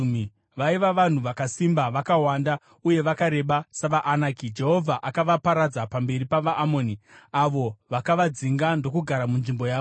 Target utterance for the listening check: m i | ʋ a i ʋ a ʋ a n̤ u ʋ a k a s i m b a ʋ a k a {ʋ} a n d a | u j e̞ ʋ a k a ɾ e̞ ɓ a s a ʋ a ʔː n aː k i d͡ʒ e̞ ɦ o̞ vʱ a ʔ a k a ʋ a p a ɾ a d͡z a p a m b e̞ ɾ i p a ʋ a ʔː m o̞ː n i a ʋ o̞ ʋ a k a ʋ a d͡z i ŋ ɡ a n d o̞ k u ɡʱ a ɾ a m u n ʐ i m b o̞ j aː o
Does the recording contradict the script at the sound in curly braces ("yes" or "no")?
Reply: yes